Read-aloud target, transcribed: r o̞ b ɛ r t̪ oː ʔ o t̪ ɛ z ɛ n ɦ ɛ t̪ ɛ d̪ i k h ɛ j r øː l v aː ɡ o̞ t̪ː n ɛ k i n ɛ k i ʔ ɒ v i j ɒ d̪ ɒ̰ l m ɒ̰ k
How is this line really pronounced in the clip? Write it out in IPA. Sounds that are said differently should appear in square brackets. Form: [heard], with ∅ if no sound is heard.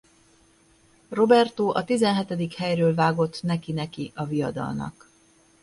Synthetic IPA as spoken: r o̞ b ɛ r t̪ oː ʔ [ɒ] t̪ [i] z ɛ n ɦ ɛ t̪ ɛ d̪ i k h ɛ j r øː l v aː ɡ o̞ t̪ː n ɛ k i n ɛ k i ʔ ɒ v i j ɒ d̪ ɒ̰ l [n] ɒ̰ k